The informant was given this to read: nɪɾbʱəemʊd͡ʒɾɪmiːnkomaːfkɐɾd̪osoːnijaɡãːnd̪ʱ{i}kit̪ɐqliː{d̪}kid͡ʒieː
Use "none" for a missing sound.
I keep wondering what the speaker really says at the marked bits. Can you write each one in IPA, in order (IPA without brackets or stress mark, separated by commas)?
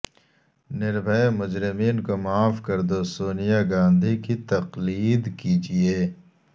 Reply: i, d̪